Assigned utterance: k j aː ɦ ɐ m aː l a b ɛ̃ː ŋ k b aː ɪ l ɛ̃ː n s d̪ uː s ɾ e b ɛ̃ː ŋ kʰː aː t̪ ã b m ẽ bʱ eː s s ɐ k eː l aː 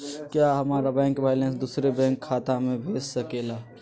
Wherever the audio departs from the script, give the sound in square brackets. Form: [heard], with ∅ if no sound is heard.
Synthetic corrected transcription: k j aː ɦ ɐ m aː [ɾ] a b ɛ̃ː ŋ k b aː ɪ l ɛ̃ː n s d̪ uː s ɾ e b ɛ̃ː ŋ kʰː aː t̪ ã [∅] m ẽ bʱ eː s s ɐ k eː l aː